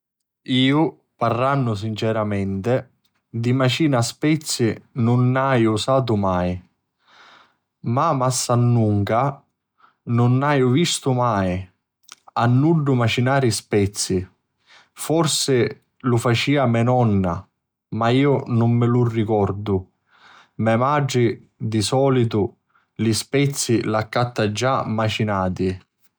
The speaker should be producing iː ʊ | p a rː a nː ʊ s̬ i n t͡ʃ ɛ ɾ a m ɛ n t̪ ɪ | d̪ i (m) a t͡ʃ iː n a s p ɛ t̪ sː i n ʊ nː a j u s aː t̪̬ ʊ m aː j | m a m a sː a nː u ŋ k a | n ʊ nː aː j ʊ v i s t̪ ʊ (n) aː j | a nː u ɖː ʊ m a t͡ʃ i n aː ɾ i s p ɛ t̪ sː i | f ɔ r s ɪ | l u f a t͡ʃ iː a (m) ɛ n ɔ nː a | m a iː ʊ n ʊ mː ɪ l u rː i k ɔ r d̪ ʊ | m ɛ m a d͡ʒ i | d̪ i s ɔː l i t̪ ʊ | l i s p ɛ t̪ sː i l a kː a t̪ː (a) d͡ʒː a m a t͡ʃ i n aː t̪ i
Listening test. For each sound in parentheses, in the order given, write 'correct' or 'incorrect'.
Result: correct, incorrect: m, correct, correct

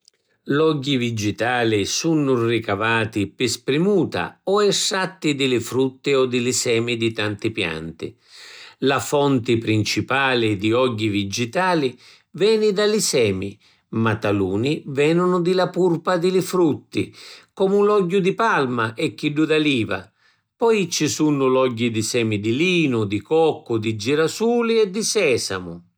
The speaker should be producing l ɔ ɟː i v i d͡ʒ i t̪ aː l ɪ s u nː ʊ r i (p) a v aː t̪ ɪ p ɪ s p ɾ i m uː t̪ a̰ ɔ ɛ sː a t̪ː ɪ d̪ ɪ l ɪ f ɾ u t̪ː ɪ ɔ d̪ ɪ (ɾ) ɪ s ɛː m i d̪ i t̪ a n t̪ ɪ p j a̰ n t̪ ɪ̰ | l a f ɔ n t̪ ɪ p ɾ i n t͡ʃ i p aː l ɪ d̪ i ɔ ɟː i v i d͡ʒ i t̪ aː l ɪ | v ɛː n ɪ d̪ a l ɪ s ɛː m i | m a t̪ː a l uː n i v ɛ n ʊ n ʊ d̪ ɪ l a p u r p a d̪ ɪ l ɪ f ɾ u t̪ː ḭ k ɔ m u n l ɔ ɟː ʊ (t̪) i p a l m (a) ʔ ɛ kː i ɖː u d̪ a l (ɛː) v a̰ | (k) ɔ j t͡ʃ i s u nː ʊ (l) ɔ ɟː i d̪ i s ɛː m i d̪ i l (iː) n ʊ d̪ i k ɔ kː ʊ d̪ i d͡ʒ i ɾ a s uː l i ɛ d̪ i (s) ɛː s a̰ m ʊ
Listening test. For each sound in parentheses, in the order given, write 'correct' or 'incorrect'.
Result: incorrect: k, incorrect: l, incorrect: d̪, correct, incorrect: iː, incorrect: p, correct, correct, correct

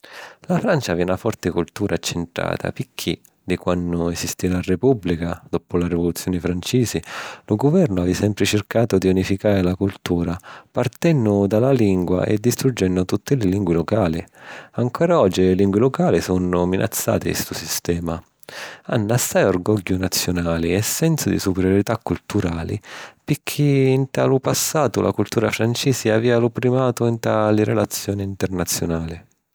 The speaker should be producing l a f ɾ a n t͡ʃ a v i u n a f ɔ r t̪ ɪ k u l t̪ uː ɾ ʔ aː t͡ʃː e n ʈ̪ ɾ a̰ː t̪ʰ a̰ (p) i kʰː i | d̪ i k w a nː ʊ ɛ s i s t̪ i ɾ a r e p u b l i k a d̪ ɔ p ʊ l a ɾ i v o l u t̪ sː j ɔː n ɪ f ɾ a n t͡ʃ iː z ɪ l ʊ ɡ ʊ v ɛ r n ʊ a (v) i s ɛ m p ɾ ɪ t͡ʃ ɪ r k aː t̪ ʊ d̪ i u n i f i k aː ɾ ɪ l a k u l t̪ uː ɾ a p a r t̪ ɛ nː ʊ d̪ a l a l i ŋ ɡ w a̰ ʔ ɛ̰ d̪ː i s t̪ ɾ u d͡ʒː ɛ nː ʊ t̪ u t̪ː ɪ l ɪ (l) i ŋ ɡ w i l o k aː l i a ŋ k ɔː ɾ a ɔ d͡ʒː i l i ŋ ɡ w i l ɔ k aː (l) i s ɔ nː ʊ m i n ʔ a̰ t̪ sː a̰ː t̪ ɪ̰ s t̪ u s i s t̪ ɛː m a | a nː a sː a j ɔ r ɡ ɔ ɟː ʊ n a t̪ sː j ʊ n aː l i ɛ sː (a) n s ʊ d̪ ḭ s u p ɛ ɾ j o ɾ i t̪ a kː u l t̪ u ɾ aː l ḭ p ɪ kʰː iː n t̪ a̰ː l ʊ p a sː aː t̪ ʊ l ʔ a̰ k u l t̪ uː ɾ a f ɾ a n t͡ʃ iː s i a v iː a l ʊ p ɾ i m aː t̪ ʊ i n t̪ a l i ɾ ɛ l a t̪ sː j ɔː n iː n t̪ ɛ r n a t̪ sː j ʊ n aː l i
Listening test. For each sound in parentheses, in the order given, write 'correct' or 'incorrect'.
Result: correct, correct, correct, correct, incorrect: ɛ

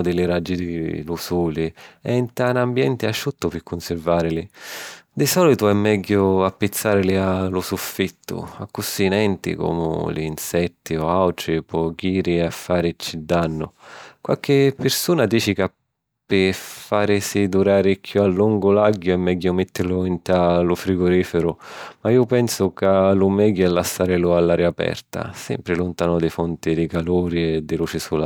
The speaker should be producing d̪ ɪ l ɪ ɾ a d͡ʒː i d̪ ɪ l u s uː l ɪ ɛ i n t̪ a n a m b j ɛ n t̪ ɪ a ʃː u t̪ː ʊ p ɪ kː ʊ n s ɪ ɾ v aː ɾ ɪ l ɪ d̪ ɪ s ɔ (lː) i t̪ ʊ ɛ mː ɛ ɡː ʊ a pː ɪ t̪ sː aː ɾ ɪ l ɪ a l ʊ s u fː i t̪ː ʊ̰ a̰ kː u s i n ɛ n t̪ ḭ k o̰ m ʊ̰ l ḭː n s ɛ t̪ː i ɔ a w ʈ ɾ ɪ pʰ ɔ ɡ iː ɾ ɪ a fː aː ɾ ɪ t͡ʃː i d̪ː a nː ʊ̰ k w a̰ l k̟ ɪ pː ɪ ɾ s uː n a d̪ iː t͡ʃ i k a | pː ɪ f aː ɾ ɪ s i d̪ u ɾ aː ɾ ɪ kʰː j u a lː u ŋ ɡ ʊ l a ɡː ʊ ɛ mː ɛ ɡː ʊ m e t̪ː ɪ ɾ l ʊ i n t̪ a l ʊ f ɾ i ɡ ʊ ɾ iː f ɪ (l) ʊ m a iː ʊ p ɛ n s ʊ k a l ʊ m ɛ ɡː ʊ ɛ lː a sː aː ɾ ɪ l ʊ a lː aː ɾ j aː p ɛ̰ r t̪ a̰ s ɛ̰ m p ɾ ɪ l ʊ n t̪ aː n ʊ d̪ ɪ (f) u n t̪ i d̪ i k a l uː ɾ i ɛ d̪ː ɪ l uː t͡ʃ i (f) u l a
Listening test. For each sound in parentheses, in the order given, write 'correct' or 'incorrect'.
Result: incorrect: l, incorrect: ɾ, correct, incorrect: s

